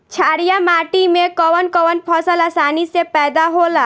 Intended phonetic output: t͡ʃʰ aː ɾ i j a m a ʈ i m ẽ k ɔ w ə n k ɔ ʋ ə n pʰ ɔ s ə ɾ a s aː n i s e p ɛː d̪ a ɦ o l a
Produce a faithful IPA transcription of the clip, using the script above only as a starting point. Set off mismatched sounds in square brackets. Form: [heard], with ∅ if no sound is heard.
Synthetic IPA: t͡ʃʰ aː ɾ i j a m a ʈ i m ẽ k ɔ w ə n k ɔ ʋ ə n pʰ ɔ s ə [l] a s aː n i s e p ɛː d̪ a ɦ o l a